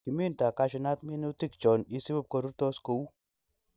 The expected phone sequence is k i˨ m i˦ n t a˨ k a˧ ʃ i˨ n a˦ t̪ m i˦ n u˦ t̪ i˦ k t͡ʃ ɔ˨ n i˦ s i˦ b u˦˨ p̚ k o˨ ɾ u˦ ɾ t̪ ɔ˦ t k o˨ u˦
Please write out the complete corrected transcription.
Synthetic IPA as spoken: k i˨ m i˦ n t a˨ k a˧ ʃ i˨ n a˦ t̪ m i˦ n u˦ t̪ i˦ k t͡ʃ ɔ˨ n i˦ s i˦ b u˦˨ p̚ k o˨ ɾ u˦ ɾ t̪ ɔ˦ s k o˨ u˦